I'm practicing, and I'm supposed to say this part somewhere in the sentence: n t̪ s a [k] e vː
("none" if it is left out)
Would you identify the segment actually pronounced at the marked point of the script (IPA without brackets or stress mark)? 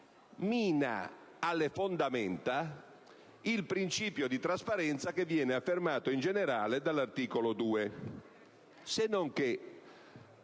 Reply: k